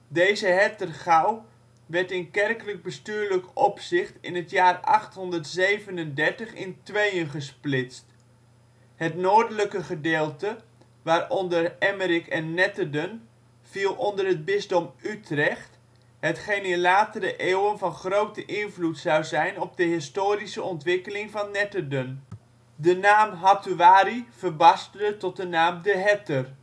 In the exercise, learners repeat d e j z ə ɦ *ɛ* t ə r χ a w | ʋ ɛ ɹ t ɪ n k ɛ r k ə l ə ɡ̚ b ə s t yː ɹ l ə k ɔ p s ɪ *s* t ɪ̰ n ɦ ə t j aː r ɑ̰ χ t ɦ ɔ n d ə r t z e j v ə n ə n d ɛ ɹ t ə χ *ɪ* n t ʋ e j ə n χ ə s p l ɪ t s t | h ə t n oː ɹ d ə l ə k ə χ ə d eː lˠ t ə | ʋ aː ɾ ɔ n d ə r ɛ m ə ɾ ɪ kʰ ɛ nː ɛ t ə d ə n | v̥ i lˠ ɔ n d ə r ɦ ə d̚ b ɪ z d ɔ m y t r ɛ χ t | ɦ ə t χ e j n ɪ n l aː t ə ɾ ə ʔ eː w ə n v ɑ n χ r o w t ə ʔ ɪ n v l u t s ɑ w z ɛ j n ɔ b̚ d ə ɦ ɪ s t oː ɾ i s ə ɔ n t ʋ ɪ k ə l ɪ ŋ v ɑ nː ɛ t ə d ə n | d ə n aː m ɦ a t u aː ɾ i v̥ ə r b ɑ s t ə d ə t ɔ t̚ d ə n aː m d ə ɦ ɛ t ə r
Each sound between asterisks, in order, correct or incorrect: correct, incorrect, correct

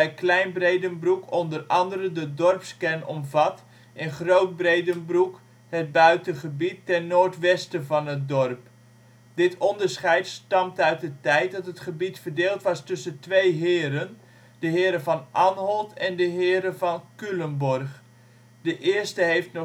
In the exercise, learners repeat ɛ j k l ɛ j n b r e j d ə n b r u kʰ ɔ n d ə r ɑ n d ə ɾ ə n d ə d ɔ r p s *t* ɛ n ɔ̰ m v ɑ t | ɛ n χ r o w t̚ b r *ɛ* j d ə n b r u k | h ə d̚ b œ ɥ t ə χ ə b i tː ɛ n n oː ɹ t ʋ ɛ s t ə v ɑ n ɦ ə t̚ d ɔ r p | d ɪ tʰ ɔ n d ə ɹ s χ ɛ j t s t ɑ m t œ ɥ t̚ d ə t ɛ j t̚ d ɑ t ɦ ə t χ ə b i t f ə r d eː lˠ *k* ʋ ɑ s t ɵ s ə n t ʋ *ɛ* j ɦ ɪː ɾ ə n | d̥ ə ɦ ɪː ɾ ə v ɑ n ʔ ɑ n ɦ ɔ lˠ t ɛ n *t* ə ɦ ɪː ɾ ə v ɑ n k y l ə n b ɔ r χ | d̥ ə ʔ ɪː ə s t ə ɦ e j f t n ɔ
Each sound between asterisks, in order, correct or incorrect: incorrect, incorrect, incorrect, incorrect, incorrect

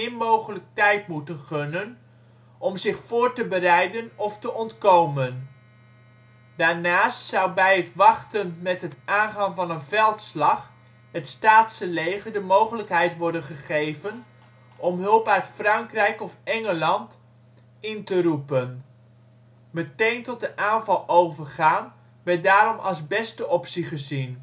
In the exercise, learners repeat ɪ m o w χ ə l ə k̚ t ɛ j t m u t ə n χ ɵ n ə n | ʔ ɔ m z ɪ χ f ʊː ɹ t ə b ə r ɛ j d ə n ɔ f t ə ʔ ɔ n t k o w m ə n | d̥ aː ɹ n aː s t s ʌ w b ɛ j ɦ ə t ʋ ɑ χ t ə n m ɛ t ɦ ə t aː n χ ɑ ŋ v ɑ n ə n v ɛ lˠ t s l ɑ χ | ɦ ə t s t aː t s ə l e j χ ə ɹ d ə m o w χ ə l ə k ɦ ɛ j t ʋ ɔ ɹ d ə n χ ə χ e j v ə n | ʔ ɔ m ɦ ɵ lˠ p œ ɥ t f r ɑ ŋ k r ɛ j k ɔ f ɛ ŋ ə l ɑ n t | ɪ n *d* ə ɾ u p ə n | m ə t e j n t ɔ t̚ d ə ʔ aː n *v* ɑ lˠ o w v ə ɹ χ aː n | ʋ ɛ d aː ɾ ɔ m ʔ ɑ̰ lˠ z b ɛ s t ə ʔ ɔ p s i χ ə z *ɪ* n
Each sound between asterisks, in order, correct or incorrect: incorrect, correct, incorrect

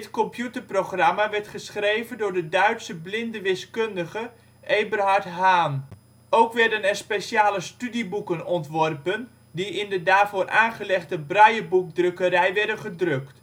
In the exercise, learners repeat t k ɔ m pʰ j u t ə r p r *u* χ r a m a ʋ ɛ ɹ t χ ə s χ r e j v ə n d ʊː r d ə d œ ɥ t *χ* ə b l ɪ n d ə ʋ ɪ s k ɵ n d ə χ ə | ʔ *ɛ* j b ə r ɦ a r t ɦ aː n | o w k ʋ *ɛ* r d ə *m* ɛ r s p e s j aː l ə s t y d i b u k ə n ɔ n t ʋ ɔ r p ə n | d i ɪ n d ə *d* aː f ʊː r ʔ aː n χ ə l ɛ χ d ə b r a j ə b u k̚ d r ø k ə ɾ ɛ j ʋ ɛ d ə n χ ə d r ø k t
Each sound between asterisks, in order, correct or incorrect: incorrect, incorrect, incorrect, correct, incorrect, correct

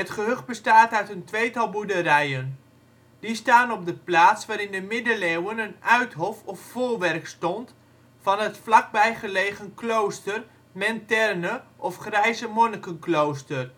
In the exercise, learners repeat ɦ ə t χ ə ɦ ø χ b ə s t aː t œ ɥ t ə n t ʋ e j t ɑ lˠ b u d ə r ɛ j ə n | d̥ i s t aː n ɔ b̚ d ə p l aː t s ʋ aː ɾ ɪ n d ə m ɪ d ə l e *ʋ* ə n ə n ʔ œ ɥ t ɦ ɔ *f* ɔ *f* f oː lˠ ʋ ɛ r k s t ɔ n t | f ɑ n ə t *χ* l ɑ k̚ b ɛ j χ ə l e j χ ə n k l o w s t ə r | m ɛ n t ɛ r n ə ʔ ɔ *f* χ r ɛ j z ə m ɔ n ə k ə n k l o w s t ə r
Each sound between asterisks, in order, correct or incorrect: incorrect, correct, correct, incorrect, correct

